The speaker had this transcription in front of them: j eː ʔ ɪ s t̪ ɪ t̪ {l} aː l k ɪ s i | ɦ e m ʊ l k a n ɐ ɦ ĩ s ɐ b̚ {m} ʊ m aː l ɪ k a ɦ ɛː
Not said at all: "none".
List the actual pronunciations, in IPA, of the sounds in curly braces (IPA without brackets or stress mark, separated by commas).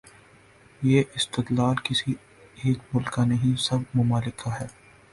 l, m